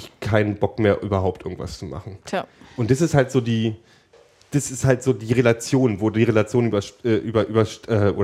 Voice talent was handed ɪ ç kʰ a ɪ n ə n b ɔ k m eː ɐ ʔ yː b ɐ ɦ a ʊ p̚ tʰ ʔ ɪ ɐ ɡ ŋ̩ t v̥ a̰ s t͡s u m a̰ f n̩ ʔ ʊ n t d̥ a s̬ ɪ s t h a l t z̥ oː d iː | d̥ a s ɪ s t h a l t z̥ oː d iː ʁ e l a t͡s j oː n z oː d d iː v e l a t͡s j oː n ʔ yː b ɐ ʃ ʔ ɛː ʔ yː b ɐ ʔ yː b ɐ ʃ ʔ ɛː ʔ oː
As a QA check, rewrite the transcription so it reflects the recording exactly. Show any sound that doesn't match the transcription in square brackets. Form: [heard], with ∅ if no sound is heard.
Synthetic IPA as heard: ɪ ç kʰ a ɪ n ə n b ɔ k m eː ɐ ʔ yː b ɐ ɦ a ʊ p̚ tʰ ʔ ɪ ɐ ɡ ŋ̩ t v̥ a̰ s t͡s u m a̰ [χ] n̩ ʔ ʊ n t d̥ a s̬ ɪ s t h a l t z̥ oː d iː | d̥ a s ɪ s t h a l t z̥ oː d iː ʁ e l a t͡s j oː n [v] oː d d iː [ʁ] e l a t͡s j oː n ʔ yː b ɐ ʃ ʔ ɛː ʔ yː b ɐ ʔ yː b ɐ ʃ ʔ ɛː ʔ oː